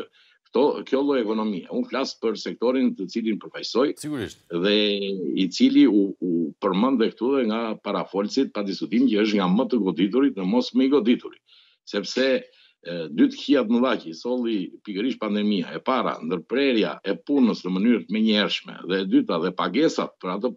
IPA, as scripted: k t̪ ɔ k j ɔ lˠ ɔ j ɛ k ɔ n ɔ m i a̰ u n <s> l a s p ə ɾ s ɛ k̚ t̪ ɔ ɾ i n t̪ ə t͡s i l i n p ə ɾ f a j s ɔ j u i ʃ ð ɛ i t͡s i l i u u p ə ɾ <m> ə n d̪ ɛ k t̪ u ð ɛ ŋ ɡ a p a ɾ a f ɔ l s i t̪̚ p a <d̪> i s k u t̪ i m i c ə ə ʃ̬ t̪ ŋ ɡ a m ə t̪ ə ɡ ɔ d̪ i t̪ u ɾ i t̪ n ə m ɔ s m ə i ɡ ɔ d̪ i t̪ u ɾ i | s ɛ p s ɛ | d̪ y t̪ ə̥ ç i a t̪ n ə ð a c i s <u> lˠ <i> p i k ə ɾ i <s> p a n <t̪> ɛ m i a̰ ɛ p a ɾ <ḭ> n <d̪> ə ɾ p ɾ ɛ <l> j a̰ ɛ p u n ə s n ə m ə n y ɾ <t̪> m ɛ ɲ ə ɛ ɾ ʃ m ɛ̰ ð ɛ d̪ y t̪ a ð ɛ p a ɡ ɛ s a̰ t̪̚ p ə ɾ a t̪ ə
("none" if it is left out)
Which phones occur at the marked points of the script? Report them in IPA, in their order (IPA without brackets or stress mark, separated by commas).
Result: f, m, d̪, ɔ, i, ʃ, d̪, a̰, d̪, ɾ, t̪